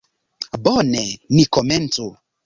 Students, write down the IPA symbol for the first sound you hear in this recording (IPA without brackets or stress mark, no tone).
b